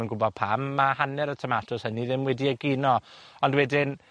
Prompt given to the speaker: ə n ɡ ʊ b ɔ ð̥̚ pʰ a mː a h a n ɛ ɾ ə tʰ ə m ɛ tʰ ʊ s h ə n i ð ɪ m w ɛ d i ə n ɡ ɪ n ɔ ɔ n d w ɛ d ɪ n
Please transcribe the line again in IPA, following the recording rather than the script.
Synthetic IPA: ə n ɡ ʊ b ɔ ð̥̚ pʰ a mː a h a n ɛ ɾ ə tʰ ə m a tʰ ʊ s h ə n i ð ɪ m w ɛ d i ə ɡ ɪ n ɔ ɔ n d w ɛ d ɪ n